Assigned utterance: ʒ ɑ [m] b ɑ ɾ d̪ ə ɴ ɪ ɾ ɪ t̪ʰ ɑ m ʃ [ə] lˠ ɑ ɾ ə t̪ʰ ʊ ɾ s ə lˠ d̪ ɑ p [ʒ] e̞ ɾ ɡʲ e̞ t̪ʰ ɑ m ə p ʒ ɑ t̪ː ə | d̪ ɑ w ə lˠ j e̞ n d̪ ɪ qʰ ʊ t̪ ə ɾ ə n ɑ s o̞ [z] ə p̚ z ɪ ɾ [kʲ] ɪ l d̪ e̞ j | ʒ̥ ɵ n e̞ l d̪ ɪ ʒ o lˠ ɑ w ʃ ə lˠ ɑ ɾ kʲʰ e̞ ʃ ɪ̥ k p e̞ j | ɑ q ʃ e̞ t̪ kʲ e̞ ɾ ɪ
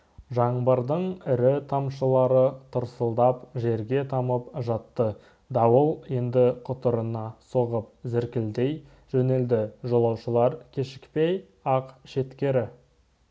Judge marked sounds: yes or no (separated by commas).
no, yes, yes, no, yes